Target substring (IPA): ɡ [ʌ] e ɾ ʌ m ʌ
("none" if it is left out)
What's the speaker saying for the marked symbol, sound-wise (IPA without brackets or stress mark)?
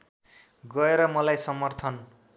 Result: ʌ